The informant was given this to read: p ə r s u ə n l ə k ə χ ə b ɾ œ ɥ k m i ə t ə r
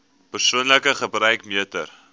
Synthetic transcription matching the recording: p ə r s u ə n l ə k ə χ ə b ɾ œ ɥ k m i ə t ə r